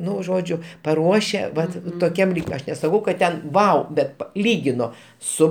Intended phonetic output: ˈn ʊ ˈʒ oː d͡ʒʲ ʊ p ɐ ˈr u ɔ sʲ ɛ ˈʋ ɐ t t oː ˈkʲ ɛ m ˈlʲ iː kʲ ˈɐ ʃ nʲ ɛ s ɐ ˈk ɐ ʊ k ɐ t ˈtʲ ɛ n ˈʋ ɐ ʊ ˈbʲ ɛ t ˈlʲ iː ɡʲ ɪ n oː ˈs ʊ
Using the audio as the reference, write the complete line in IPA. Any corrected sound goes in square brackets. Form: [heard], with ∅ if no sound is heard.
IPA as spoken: ˈn ʊ ˈʒ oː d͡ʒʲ ʊ p ɐ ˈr u ɔ [ʃʲ] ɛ ˈʋ ɐ t t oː ˈkʲ ɛ m ˈlʲ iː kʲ ˈɐ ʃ nʲ ɛ s ɐ ˈk ɐ ʊ k ɐ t ˈtʲ ɛ n ˈʋ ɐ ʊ ˈbʲ ɛ t ˈlʲ iː ɡʲ ɪ n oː ˈs ʊ